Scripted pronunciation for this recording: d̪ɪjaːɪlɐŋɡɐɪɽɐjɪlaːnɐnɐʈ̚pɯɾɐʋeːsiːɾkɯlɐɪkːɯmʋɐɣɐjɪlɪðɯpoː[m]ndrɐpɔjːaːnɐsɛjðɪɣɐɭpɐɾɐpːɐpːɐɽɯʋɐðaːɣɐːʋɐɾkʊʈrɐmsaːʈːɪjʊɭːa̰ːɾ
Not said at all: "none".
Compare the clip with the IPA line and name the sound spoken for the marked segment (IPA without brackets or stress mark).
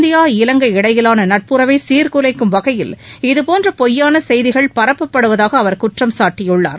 none